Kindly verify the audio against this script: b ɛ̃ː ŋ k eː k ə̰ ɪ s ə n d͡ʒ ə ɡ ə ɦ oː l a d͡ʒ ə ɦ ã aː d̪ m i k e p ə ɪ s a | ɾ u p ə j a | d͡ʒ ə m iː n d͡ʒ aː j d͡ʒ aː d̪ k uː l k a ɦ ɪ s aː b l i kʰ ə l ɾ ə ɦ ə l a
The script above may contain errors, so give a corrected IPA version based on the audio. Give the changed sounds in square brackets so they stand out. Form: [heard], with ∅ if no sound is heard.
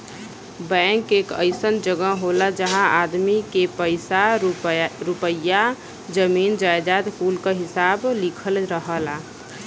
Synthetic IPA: b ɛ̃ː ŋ k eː k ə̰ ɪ s ə n d͡ʒ ə ɡ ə ɦ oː l a d͡ʒ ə ɦ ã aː d̪ m i k e p ə ɪ s a | ɾ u p ə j a | d͡ʒ ə m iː n d͡ʒ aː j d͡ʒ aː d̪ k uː l k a ɦ ɪ s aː b l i kʰ ə l ɾ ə ɦ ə l a